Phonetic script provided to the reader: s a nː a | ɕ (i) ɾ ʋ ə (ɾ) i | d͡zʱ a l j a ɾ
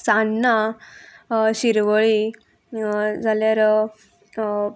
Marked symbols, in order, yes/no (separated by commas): yes, no